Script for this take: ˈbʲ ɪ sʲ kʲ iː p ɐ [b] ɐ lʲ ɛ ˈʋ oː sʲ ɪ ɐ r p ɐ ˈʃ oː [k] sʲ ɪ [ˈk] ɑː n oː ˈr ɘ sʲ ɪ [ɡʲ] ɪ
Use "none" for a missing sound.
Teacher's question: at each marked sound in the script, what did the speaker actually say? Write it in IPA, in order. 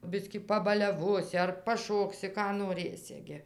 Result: b, k, k, ɡʲ

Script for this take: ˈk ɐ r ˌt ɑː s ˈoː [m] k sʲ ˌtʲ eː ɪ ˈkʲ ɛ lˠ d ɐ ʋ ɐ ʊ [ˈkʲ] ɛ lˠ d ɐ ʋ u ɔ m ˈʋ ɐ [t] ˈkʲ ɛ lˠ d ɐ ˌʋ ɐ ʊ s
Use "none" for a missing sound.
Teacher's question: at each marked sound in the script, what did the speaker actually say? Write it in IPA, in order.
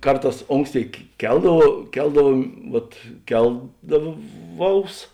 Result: ŋ, kʲ, t

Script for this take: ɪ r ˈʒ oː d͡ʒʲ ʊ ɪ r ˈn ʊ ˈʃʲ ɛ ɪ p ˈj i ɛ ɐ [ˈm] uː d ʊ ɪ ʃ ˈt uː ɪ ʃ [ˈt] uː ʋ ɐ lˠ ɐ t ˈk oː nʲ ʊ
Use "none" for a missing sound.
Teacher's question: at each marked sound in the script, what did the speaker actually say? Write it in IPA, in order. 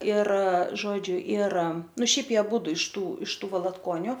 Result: b, t

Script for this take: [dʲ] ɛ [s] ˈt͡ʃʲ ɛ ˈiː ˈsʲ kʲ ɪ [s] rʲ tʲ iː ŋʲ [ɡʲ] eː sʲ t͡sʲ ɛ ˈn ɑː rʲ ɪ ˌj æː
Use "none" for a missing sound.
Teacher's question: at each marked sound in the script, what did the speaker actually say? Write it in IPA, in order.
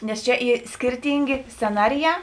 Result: nʲ, s, none, ɡʲ

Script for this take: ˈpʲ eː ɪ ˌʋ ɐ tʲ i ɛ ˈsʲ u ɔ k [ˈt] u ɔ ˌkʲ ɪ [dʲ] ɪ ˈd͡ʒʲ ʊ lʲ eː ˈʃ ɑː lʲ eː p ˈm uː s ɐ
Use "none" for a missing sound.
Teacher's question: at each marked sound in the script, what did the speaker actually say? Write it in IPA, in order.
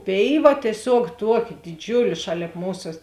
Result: t, dʲ

